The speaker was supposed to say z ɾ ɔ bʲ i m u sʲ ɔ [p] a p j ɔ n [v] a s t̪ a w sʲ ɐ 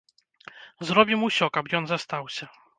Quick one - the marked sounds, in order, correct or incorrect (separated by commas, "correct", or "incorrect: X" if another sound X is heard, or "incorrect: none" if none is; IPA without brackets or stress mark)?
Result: incorrect: k, incorrect: z